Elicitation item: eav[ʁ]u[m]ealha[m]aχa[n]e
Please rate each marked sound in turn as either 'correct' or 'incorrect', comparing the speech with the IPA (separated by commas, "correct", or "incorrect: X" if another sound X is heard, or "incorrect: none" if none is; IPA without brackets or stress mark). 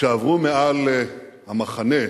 correct, correct, correct, correct